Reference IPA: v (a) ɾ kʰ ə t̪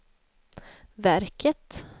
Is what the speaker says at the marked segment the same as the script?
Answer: no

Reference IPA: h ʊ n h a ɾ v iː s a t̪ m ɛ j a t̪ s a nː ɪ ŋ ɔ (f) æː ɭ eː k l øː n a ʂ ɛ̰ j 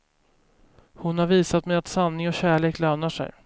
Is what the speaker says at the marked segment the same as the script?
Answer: no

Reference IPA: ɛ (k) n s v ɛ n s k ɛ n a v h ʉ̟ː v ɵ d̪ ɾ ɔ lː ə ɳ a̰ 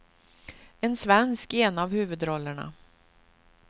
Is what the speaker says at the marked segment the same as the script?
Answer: no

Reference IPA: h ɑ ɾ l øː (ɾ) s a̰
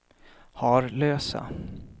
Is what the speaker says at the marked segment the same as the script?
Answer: no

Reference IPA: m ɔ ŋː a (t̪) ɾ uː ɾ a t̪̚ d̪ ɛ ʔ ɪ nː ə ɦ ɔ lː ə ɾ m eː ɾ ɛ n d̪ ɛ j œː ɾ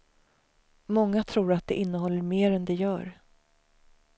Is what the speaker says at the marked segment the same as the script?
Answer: no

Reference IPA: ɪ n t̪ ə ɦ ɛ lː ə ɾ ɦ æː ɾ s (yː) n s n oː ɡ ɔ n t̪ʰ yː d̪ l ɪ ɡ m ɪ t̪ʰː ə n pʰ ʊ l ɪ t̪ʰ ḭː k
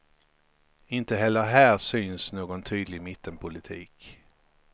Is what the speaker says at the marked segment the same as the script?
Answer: yes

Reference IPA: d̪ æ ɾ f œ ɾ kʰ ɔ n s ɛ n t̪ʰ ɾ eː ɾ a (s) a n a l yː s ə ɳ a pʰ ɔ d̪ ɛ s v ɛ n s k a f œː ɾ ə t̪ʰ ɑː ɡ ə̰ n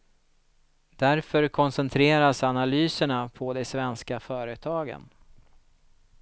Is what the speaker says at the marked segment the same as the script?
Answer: yes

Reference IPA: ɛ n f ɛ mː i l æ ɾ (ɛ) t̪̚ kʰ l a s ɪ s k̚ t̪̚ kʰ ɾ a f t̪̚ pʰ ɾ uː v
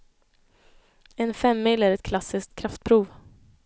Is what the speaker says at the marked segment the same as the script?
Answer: yes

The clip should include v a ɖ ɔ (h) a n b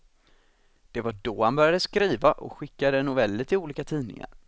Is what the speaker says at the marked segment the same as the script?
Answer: yes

